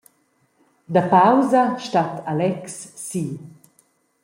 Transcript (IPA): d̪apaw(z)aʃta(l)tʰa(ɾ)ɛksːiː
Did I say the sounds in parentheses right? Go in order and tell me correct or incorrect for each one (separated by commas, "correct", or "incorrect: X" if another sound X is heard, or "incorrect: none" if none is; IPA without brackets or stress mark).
correct, incorrect: none, incorrect: l